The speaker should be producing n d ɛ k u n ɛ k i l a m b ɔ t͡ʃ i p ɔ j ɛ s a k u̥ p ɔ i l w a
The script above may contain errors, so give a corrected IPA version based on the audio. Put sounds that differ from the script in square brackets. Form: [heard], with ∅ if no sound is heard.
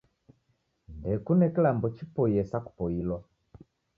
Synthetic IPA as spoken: n d ɛ k u n ɛ k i l a m b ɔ t͡ʃ i p ɔ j ɛ s a k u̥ p ɔ i l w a